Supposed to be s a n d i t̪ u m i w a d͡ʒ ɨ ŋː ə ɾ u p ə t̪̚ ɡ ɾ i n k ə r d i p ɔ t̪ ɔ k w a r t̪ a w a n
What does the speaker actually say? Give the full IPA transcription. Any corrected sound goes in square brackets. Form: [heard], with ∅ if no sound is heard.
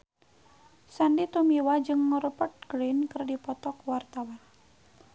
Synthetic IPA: s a n d i t̪ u m i w a d͡ʒ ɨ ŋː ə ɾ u p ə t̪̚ ɡ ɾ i n k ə r d i p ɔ t̪ ɔ k w a r t̪ a w a n